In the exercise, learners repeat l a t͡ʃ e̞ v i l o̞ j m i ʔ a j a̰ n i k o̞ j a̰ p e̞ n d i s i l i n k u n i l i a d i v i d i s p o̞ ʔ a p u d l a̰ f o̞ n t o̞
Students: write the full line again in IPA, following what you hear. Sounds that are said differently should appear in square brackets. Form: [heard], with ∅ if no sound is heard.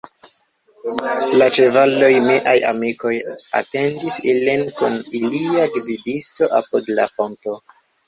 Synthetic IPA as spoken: l a t͡ʃ e̞ v [a] l o̞ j m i ʔ a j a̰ [m] i k o̞ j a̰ [t] e̞ n d i s i l i n k u n i l i a d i v i d i s [t] o̞ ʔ a p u d l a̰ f o̞ n t o̞